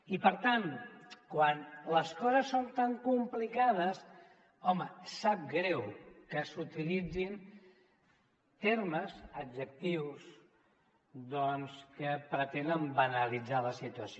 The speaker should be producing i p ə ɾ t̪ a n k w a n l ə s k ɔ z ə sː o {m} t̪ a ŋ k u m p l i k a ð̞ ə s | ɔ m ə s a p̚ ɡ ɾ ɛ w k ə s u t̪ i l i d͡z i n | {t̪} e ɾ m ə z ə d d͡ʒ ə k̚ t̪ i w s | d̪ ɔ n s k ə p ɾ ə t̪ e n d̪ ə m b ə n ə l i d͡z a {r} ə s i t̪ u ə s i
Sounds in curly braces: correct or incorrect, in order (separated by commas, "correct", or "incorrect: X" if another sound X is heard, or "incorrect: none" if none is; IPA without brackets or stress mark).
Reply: incorrect: n, correct, incorrect: l